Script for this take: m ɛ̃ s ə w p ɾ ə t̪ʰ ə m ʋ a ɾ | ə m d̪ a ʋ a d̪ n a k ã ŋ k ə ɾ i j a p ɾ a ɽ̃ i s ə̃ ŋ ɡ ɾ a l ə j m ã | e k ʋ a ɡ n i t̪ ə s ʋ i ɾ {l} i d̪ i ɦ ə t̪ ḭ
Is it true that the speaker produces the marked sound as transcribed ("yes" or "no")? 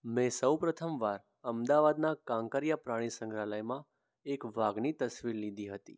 yes